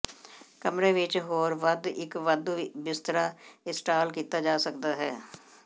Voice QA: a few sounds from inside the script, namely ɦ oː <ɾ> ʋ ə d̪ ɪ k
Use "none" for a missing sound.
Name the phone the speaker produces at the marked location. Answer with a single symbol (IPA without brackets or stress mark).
ɾ